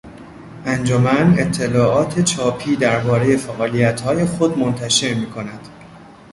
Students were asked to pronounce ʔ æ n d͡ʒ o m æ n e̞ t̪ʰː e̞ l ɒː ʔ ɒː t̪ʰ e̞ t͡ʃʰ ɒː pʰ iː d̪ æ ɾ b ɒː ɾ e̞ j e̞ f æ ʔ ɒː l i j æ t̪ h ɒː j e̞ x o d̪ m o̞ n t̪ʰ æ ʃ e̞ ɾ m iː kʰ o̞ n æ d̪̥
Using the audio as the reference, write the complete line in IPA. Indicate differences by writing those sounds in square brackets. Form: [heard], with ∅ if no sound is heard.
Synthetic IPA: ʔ æ n d͡ʒ o m æ n e̞ t̪ʰː e̞ l ɒː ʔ ɒː t̪ʰ e̞ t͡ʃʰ ɒː pʰ iː d̪ æ ɾ b ɒː ɾ e̞ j e̞ f æ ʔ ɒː l i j æ t̪ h ɒː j e̞ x o d̪ m o̞ n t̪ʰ æ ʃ e̞ ɾ m iː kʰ o̞ n æ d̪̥